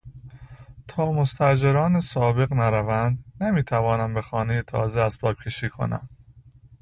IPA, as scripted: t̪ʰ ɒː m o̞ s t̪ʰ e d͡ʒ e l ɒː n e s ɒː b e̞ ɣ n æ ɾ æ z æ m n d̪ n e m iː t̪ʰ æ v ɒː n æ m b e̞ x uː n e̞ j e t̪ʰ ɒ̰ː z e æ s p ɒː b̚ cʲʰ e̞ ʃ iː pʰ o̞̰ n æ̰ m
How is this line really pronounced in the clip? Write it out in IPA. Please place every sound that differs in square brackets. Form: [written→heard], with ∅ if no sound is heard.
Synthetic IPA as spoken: t̪ʰ ɒː m o̞ s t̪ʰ [e→æ] d͡ʒ e [l→ɾ] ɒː n e s ɒː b e̞ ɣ n æ ɾ æ [z→v] æ [m→∅] n d̪ n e m iː t̪ʰ æ v ɒː n æ m b e̞ x [uː→ɒː] n e̞ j e t̪ʰ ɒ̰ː z e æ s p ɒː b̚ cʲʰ e̞ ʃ iː [pʰ→kʰ] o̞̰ n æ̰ m